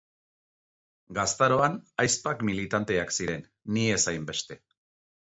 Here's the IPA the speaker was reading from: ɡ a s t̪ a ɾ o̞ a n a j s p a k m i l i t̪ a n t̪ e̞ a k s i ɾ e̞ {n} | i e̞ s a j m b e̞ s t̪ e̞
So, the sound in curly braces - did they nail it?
no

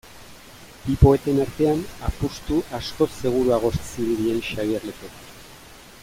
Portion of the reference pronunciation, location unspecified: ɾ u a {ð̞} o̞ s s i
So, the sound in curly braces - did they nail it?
no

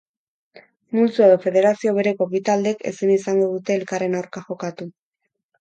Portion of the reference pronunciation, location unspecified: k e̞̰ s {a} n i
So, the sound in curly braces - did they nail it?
no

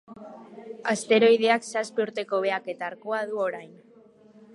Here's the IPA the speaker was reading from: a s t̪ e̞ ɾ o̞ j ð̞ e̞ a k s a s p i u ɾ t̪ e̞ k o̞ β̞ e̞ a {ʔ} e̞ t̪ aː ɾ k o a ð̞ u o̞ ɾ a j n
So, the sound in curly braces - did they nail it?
no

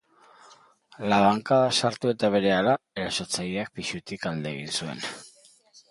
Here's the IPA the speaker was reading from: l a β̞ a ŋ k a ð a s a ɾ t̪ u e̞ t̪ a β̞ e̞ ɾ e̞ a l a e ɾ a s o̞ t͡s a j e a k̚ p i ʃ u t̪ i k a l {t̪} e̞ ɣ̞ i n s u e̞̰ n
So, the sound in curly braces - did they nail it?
no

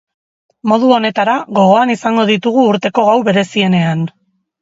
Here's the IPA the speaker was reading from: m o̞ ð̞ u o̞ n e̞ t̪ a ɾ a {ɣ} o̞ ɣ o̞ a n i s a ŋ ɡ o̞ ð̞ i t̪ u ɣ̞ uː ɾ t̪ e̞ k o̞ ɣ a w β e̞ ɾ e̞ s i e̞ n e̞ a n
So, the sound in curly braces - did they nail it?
yes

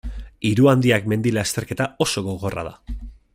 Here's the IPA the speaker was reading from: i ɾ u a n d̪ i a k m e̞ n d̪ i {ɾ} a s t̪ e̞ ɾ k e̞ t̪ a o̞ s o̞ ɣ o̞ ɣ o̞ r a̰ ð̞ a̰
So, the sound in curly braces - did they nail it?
no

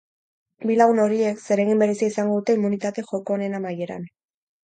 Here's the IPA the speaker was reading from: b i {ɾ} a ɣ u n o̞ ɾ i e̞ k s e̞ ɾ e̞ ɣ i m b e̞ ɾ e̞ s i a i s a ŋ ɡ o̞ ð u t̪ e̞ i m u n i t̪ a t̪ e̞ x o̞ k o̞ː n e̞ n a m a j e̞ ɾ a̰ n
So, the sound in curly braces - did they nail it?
no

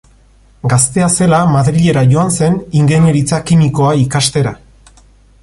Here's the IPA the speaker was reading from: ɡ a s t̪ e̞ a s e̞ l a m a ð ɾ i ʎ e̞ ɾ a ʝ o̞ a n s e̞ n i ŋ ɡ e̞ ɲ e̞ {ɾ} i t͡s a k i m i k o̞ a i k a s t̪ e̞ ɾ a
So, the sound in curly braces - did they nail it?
yes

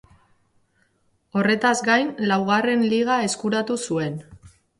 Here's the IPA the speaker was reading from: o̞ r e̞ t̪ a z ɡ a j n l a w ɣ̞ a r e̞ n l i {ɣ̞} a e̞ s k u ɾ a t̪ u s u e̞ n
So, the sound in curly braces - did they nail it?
yes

